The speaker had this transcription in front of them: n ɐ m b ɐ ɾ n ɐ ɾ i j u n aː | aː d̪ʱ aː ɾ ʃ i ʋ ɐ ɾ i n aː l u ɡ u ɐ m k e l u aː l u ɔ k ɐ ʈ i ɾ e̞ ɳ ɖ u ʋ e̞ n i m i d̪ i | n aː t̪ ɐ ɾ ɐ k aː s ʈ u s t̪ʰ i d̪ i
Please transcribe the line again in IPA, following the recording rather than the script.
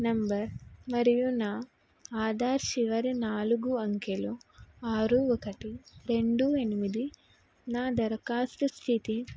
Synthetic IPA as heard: n ɐ m b ɐ ɾ m ɐ ɾ i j u n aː | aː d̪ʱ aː ɾ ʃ i ʋ ɐ ɾ i n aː l u ɡ u ɐ ŋ k e l u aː ɾ u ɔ k ɐ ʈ i ɾ e̞ ɳ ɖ u e̞ n i m i d̪ i | n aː d̪ ɐ ɾ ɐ k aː s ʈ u s t̪ʰ i t̪ i